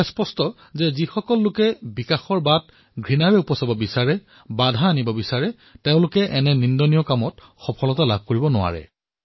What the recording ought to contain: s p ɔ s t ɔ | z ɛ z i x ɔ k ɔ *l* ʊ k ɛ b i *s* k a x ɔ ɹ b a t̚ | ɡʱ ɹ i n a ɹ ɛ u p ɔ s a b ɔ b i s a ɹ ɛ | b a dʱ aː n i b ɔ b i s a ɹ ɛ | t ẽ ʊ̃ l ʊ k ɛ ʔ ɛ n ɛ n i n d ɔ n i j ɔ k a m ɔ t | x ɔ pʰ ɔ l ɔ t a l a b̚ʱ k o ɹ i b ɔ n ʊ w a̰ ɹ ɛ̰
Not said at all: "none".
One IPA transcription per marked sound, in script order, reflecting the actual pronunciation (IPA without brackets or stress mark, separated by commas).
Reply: lː, none